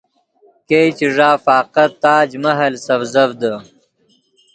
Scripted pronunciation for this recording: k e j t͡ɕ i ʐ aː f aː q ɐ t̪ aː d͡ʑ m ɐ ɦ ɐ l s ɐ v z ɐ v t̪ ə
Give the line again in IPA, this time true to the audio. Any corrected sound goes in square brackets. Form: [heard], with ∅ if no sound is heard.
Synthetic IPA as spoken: k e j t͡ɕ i ʐ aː f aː q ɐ t̪ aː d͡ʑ m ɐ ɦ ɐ l s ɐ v z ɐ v [d̪] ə